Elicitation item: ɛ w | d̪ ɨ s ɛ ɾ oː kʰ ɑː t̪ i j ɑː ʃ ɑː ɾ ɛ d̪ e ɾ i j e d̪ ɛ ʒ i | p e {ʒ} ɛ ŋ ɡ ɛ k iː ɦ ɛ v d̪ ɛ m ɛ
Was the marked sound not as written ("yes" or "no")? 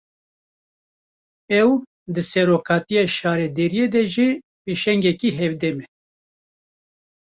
yes